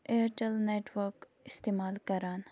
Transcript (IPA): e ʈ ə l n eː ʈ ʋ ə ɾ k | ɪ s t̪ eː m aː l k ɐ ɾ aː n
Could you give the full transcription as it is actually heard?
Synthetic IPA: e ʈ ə l n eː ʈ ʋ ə ɾ k | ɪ s t̪ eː m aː l k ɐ ɾ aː n